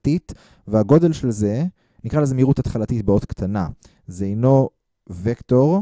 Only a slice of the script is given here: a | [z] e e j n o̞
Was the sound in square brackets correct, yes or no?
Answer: yes